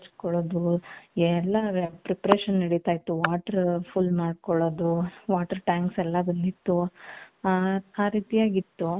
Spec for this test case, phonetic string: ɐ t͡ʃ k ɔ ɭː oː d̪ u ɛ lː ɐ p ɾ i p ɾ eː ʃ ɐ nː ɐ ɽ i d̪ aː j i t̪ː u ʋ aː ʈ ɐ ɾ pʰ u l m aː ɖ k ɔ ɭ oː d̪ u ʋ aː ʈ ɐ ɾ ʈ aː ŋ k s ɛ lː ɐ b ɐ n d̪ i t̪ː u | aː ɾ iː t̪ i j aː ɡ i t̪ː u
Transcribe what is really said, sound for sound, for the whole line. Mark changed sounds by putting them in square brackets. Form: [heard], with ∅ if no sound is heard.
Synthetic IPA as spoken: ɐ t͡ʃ k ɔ [ɭ] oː d̪ u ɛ lː ɐ p ɾ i p ɾ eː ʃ ɐ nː ɐ ɽ i [t̪] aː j i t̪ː u ʋ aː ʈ ɐ ɾ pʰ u l m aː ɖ k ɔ ɭ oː d̪ u ʋ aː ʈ ɐ ɾ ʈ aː ŋ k s ɛ lː ɐ b ɐ n d̪ i t̪ː u | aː ɾ iː t̪ i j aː ɡ i t̪ː u